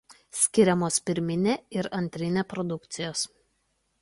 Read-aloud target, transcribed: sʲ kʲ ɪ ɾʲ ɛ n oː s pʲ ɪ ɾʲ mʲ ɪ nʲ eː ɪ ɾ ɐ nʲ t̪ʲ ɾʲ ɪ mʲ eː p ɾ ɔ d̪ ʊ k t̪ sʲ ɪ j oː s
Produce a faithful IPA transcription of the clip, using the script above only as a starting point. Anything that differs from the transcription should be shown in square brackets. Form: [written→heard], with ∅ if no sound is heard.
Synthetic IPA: sʲ kʲ ɪ ɾʲ ɛ [n→m] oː s pʲ ɪ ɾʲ mʲ ɪ nʲ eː ɪ ɾ ɐ nʲ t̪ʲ ɾʲ ɪ [mʲ→nʲ] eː p ɾ ɔ d̪ ʊ k t̪ sʲ ɪ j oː s